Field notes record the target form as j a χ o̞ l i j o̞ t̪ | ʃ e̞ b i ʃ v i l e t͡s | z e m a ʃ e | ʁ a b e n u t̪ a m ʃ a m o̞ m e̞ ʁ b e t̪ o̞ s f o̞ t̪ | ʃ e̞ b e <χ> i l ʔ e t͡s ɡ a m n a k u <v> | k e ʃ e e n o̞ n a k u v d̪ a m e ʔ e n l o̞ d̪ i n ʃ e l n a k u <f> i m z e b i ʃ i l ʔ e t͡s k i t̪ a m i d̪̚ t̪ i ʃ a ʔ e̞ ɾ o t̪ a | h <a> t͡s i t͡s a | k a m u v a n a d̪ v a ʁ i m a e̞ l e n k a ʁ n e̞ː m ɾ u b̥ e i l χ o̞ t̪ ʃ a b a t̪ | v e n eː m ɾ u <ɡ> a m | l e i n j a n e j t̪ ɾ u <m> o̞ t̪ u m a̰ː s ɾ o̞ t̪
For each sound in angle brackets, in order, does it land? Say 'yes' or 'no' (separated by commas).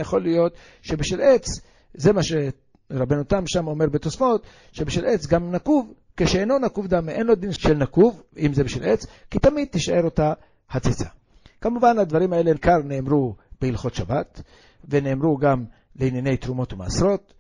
no, yes, no, yes, yes, yes